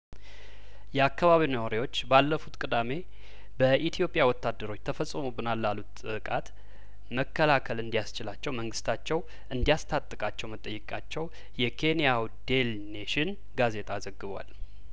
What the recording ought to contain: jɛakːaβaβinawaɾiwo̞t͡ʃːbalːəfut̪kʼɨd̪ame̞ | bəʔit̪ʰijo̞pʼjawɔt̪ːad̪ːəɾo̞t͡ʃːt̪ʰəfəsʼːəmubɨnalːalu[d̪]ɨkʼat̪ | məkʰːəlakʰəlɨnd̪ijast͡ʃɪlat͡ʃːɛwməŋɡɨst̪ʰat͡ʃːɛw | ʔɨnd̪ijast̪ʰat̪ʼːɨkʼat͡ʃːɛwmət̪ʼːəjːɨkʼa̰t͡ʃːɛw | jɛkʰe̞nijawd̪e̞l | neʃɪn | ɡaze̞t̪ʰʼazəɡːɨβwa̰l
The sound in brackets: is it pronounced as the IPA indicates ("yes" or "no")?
no